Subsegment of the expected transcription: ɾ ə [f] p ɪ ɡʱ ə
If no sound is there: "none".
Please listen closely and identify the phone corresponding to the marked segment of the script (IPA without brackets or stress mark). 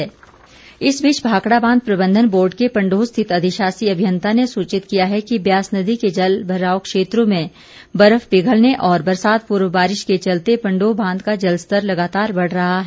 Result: f